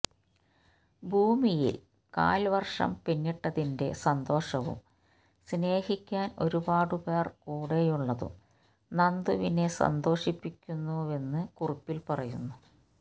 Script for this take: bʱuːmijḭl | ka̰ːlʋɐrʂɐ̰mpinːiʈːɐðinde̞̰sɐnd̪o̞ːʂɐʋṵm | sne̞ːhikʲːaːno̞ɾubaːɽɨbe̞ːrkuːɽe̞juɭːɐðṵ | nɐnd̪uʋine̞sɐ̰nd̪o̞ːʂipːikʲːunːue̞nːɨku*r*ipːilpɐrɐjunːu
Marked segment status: correct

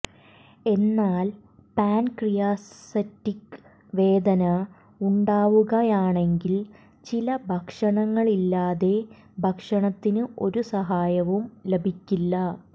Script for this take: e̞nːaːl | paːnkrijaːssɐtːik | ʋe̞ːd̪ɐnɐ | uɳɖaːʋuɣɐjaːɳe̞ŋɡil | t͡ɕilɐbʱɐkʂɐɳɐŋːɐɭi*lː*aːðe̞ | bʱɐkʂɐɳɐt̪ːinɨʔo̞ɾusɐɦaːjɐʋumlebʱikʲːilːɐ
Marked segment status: correct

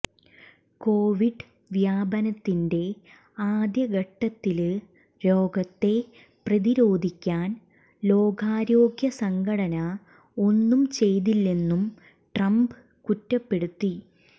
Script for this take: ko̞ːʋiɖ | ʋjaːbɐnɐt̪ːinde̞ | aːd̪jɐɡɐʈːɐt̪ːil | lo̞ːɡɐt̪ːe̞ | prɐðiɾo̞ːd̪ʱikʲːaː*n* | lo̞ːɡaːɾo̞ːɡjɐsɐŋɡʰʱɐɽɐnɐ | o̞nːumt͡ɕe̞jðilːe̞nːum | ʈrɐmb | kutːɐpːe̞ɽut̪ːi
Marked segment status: correct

